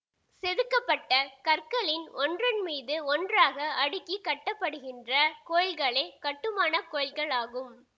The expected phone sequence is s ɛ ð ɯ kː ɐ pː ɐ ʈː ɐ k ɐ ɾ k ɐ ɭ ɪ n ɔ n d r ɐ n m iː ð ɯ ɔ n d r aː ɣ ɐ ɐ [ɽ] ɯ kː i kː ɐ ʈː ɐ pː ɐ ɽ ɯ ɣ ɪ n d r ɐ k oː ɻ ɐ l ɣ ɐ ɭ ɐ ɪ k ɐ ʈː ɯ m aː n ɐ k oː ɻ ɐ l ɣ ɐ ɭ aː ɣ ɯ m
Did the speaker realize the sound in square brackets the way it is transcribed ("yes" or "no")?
yes